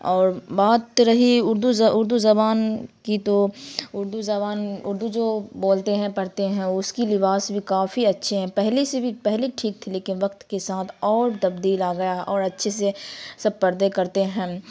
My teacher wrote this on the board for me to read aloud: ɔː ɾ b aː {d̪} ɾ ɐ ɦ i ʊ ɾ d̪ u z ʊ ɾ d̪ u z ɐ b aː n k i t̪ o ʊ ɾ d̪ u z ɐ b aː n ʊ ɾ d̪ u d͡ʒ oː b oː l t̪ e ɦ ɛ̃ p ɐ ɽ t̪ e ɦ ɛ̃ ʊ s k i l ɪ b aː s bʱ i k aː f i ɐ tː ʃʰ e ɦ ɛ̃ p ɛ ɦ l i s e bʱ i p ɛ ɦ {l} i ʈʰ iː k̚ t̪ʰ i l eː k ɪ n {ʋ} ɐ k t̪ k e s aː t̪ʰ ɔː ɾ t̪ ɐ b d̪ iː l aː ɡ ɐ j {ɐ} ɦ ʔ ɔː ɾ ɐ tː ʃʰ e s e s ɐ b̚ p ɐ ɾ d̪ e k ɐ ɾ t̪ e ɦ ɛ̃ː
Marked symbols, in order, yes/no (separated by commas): no, yes, yes, no